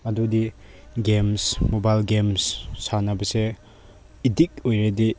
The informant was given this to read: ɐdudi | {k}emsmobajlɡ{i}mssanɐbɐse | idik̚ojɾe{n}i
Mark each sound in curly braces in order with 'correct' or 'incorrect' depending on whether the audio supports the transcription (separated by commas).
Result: incorrect, incorrect, incorrect